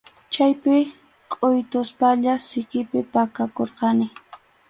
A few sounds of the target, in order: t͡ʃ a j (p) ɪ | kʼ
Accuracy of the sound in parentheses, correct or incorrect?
correct